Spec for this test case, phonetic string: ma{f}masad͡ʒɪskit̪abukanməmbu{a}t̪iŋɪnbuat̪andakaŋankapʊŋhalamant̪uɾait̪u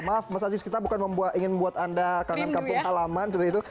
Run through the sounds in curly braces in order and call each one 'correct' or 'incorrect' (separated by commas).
correct, correct